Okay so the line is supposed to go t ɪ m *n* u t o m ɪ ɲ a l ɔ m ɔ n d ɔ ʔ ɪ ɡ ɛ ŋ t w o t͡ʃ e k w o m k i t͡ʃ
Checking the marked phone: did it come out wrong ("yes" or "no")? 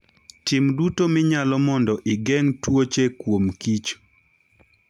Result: yes